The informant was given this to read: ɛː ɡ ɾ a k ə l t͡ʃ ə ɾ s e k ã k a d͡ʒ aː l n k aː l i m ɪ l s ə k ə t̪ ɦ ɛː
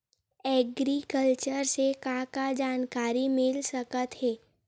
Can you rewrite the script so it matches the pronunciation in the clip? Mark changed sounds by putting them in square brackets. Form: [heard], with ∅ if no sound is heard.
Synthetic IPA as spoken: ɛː ɡ ɾ [i] k ə l t͡ʃ ə ɾ s e k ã k a d͡ʒ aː [∅] n k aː [ɾ] i m ɪ l s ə k ə t̪ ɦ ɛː